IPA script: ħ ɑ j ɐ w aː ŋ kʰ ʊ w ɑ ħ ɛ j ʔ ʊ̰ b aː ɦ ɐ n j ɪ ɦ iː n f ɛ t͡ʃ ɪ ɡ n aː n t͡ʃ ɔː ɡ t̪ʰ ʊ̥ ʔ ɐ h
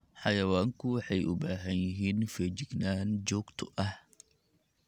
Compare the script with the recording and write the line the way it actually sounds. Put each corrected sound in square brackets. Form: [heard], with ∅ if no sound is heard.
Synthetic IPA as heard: ħ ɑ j ɐ w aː ŋ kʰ ʊ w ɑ ħ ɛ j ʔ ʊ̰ b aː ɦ ɐ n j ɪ ɦ iː n f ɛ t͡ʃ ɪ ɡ n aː n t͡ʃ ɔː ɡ t̪ʰ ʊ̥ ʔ ɐ h